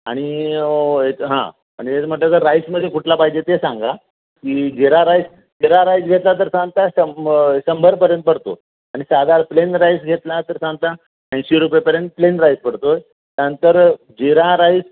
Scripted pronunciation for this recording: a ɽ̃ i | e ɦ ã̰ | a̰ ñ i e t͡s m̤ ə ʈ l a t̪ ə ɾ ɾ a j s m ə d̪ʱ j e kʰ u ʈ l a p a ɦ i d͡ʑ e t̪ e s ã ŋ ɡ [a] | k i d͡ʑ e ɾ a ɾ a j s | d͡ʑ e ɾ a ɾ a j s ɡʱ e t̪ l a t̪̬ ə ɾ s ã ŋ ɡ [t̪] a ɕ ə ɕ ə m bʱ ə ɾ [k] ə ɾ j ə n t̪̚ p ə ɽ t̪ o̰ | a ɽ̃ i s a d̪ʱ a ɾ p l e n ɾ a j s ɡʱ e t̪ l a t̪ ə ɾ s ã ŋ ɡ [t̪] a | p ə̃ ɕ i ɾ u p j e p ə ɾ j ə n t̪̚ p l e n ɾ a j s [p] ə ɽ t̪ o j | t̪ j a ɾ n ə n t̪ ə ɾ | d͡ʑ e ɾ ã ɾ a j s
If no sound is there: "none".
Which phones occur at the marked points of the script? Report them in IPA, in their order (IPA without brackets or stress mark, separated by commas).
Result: a, t̪, p, t̪, p